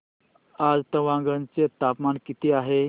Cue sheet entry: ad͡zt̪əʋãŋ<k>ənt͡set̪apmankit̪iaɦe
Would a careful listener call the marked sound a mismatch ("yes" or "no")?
yes